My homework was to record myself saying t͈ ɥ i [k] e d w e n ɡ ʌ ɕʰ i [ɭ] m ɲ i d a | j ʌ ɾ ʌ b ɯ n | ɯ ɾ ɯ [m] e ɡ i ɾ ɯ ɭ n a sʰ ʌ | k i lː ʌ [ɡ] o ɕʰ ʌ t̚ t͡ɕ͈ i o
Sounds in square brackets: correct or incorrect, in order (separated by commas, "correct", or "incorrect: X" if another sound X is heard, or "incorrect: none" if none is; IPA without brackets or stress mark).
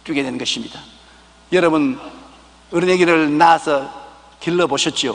incorrect: ɡ, incorrect: none, incorrect: n, incorrect: b